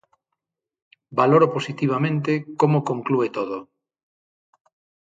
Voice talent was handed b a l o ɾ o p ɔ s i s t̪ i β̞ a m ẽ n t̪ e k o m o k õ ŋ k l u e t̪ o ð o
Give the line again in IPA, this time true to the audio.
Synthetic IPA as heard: b a l o ɾ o p o s i t̪ i β̞ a m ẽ n t̪ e k o m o k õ ŋ k l u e t̪ o ð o